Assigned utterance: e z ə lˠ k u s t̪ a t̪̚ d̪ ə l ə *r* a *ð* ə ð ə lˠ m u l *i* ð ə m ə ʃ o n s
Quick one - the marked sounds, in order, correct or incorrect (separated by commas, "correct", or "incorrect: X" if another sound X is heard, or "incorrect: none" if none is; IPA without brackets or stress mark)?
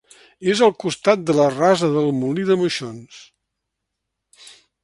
correct, incorrect: z, correct